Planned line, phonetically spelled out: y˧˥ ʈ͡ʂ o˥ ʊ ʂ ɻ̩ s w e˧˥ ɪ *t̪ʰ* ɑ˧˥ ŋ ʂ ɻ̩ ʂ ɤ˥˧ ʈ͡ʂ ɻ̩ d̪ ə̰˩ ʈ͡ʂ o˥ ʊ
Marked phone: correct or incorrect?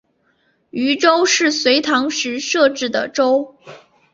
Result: correct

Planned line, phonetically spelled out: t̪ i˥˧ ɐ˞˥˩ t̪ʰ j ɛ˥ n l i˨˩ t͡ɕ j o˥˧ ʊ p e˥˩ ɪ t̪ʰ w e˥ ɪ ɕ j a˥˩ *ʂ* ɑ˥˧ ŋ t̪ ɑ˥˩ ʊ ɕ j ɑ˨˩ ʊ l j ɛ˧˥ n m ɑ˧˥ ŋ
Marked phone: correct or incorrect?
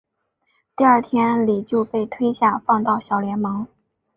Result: incorrect: f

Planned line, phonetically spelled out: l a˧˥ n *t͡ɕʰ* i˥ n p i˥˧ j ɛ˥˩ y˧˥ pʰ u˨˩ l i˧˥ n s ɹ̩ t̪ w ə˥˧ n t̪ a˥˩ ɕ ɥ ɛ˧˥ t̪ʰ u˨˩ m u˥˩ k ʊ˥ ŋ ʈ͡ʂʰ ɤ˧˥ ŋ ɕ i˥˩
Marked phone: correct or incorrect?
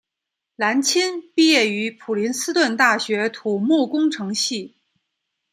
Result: correct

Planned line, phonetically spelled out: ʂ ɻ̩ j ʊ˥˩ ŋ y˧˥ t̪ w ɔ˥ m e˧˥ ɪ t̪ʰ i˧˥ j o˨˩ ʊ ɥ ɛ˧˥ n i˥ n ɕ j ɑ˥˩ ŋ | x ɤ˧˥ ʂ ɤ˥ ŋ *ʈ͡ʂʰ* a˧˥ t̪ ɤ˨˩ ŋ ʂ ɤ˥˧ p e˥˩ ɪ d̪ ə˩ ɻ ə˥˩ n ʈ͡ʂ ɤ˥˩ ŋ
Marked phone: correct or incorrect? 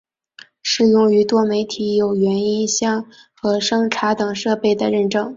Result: correct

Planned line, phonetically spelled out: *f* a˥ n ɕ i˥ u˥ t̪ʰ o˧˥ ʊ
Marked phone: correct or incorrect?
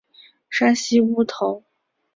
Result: incorrect: ʂ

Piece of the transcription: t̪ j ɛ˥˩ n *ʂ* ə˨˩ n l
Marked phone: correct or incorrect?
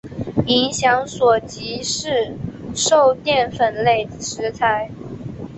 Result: incorrect: f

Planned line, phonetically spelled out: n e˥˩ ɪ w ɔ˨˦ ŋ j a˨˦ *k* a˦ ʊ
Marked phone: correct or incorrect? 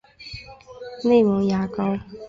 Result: correct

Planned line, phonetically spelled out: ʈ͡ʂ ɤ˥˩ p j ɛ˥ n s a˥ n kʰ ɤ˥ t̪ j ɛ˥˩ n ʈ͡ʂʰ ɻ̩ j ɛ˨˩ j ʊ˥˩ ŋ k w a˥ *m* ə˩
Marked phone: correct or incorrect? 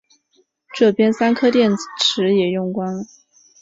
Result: incorrect: n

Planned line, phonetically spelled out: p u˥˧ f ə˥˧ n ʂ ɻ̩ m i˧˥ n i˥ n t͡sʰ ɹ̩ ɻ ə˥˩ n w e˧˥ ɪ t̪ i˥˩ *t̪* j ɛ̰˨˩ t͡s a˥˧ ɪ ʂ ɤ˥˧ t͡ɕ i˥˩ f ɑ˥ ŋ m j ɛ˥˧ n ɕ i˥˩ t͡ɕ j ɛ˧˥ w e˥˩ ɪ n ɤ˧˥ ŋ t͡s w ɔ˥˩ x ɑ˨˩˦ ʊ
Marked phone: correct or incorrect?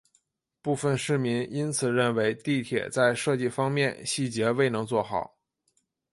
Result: incorrect: t̪ʰ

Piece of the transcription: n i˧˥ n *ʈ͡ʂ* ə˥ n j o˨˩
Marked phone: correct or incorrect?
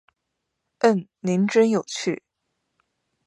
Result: correct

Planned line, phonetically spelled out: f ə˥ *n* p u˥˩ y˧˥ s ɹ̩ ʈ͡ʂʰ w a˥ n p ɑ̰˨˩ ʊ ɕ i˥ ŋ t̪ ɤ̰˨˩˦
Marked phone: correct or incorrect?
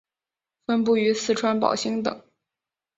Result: correct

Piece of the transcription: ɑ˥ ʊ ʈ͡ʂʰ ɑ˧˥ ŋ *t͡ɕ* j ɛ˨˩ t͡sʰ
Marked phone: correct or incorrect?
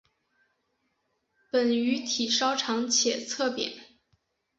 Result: incorrect: t͡ɕʰ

